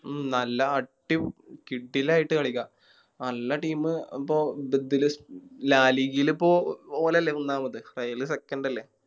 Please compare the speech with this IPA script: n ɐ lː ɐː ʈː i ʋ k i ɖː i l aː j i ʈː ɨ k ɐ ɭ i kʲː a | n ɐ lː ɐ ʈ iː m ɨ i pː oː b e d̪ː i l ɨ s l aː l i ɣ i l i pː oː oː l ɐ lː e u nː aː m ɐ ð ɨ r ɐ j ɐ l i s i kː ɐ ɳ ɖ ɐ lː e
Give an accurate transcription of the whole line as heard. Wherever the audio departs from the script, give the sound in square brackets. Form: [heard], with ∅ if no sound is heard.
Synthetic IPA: n ɐ lː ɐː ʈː i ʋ k i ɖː i l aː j i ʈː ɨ k ɐ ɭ i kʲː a | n ɐ lː ɐ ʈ iː m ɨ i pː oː b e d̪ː i l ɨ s l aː l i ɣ i l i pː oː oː l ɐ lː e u nː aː m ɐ ð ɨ r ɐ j ɐ l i s [e] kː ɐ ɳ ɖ ɐ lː e